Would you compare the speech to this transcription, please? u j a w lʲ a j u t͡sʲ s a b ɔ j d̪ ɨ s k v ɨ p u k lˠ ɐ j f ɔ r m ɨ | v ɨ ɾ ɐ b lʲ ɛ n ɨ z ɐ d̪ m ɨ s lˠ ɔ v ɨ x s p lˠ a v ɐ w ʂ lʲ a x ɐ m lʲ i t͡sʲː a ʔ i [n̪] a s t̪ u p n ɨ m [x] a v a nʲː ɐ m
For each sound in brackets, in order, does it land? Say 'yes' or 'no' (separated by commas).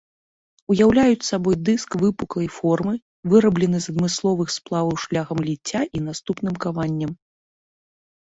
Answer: yes, no